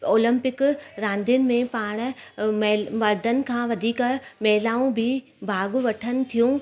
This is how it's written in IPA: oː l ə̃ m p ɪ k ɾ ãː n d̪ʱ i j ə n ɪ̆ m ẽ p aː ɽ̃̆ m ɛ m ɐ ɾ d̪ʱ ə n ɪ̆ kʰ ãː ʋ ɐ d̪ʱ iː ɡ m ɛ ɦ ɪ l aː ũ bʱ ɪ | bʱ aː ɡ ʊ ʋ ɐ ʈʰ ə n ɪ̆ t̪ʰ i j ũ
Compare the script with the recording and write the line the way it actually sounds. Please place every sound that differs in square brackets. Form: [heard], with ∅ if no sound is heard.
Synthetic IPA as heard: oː l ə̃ m p ɪ k ɾ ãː n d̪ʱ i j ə n ɪ̆ m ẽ p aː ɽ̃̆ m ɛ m ɐ ɾ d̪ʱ ə n ɪ̆ kʰ ãː ʋ ɐ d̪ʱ iː [k] m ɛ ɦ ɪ l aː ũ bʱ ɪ | bʱ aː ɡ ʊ ʋ ɐ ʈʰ ə n ɪ̆ t̪ʰ i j ũ